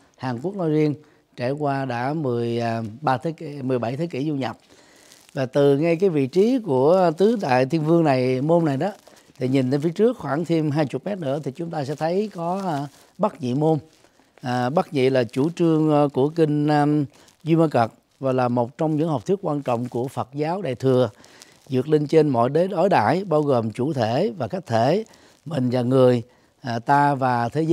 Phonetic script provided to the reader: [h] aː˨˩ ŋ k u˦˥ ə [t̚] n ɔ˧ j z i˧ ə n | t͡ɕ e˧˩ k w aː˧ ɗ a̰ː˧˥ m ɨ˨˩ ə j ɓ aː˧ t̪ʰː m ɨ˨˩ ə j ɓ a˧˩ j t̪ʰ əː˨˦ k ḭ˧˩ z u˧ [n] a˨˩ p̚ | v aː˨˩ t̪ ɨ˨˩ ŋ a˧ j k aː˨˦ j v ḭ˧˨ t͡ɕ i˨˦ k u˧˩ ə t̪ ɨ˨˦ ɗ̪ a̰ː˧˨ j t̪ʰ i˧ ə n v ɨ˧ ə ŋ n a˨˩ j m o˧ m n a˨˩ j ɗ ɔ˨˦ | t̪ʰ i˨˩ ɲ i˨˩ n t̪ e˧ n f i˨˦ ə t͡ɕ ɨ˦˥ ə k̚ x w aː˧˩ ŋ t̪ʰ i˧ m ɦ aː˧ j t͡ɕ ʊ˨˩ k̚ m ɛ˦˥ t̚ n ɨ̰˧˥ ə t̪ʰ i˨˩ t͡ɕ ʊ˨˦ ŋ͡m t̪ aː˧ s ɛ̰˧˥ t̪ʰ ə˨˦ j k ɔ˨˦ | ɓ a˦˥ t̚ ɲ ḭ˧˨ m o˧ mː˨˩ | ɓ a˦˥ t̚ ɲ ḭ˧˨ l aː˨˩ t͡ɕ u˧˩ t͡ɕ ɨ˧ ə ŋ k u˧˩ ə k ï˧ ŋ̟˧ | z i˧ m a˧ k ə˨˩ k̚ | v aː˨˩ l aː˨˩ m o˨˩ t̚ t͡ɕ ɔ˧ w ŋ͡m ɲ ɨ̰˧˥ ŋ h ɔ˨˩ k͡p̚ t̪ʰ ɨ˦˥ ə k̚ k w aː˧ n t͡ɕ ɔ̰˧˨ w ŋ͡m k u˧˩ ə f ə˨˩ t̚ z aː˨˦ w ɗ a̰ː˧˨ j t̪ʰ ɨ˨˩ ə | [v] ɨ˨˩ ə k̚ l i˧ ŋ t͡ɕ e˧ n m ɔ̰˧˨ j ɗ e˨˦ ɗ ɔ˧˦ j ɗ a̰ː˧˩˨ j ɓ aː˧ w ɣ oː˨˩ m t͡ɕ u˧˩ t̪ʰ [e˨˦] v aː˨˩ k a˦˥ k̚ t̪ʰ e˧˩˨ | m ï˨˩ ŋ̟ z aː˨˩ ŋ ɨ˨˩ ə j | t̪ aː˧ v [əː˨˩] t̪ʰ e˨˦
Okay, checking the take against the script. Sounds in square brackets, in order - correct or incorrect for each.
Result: correct, incorrect, incorrect, incorrect, incorrect, incorrect

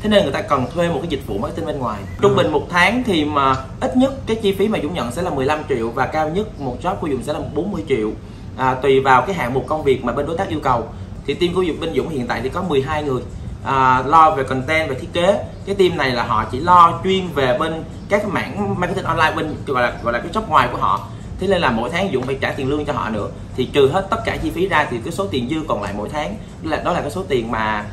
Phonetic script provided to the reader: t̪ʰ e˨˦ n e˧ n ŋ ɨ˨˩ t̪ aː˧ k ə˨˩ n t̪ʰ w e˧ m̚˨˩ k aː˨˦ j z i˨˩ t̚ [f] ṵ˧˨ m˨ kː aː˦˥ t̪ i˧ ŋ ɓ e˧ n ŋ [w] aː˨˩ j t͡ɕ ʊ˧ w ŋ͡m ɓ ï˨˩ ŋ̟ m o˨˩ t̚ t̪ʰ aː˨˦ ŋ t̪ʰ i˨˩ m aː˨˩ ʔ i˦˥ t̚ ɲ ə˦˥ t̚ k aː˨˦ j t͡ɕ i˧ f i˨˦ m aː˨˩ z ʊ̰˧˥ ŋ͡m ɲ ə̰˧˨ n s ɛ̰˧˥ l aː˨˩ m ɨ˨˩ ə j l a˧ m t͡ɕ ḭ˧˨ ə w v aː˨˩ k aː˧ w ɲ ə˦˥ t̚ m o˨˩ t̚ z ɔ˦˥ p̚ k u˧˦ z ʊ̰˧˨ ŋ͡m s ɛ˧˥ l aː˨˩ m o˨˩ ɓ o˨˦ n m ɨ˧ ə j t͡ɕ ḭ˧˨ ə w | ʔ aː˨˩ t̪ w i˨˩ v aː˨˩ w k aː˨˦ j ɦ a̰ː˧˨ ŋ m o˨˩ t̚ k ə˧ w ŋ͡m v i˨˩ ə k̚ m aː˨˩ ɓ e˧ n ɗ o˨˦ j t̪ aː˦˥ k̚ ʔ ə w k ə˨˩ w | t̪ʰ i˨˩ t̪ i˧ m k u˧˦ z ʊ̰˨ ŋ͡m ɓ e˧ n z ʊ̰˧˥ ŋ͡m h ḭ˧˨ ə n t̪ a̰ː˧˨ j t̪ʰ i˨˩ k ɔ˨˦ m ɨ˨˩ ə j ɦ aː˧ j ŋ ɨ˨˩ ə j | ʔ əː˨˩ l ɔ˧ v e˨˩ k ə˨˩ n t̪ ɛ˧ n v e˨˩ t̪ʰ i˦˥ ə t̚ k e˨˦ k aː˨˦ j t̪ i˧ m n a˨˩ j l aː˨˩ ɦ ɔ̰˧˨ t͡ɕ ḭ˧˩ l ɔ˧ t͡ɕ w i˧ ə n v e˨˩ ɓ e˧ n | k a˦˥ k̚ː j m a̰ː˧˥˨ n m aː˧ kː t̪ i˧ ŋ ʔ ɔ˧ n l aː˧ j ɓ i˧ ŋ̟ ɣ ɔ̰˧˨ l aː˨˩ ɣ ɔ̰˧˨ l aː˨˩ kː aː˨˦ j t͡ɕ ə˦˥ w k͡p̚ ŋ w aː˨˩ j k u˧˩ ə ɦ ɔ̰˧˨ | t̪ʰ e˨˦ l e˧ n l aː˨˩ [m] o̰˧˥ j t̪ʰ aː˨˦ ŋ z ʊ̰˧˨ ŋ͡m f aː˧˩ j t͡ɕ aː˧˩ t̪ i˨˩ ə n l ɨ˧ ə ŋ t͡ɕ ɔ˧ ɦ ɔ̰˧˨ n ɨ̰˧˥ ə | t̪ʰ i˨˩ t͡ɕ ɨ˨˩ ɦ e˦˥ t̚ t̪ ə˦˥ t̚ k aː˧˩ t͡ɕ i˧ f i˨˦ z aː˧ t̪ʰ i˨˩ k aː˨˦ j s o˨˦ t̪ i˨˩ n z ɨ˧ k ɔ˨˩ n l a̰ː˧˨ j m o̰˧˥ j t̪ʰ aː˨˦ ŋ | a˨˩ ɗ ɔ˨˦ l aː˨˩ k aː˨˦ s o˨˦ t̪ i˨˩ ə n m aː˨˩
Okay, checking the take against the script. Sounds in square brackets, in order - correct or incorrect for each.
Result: incorrect, correct, correct

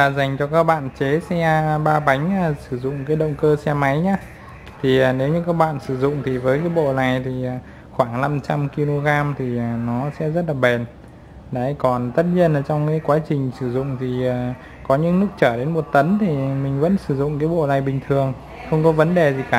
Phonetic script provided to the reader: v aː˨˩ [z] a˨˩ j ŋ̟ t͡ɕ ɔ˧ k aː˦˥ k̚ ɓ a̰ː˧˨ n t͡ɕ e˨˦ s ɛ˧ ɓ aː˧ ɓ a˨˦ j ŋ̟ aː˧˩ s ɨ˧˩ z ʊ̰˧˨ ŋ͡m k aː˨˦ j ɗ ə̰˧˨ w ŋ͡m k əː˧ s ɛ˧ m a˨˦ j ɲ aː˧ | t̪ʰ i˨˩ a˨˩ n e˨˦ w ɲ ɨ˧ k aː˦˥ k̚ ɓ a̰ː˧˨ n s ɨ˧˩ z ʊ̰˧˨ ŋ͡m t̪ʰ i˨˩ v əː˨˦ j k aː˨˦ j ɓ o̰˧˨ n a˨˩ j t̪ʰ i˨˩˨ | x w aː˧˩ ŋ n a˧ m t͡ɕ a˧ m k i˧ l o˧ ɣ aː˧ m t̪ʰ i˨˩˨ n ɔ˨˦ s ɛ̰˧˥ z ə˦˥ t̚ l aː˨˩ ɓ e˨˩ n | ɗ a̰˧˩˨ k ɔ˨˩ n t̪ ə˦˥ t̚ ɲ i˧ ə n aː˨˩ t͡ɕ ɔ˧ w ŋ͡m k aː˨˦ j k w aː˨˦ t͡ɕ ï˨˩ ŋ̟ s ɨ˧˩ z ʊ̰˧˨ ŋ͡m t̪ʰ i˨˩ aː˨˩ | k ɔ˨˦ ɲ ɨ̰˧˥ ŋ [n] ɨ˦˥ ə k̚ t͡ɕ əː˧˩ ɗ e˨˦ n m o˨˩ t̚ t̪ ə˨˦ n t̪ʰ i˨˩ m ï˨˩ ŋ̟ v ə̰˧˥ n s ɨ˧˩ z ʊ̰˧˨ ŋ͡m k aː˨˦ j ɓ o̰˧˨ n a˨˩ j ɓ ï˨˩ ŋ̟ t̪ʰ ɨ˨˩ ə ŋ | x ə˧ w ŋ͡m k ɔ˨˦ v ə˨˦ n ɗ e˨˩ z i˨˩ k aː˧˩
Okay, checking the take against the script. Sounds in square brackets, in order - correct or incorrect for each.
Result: correct, correct

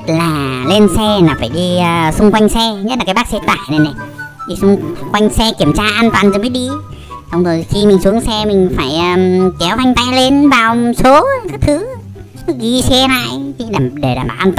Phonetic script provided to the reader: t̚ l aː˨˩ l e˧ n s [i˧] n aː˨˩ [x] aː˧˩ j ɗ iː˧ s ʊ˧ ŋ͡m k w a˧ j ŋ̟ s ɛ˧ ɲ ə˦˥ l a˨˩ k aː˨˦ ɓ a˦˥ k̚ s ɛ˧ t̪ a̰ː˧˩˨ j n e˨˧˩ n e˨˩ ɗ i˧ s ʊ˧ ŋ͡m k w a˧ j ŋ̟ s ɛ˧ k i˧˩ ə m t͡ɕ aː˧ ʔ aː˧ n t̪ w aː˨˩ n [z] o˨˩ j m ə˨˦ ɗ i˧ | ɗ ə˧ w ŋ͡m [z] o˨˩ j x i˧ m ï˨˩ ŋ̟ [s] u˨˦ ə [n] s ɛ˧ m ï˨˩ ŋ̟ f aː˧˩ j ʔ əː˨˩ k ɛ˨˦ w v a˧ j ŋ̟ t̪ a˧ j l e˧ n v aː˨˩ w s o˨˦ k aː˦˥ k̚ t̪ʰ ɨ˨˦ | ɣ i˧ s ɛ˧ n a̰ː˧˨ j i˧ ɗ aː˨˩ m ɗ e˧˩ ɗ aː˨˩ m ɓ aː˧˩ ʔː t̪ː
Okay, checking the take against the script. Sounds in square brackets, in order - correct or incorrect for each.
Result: incorrect, incorrect, correct, correct, correct, incorrect

